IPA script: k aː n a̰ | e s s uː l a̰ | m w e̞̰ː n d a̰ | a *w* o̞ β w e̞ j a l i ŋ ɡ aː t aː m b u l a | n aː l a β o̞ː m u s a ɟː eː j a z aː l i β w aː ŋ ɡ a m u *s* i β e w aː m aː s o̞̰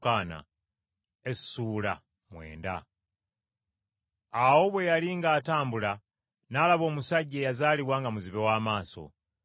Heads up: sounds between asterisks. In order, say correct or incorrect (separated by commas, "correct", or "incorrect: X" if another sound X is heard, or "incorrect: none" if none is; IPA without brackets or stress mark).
correct, incorrect: z